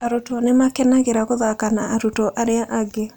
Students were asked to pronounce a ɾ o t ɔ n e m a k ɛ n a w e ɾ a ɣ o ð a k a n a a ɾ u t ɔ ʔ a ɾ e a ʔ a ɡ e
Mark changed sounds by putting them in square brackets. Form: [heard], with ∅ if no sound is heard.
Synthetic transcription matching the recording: a ɾ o t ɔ n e m a k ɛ n a [ɣ] e ɾ a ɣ o ð a k a n a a ɾ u t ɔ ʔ a ɾ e a ʔ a ɡ e